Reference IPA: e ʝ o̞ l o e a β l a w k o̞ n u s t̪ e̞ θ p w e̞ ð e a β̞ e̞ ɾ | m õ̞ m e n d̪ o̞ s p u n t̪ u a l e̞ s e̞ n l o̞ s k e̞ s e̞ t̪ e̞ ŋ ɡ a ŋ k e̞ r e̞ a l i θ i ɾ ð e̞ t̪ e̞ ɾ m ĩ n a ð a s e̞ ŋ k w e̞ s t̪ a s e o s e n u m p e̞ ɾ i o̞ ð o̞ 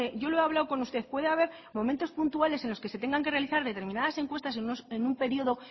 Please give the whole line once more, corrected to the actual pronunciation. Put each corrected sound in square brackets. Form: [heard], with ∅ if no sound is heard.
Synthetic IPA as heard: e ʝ o̞ l o e a β l a w k o̞ n u s t̪ e̞ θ p w e̞ ð e a β̞ e̞ ɾ | m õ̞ m e n [t̪] o̞ s p u n t̪ u a l e̞ s e̞ n l o̞ s k e̞ s e̞ t̪ e̞ ŋ ɡ a ŋ k e̞ r e̞ a l i θ [a] ɾ ð e̞ t̪ e̞ ɾ m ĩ n a ð a s e̞ ŋ k w e̞ s t̪ a s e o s e n u m p e̞ ɾ i o̞ ð o̞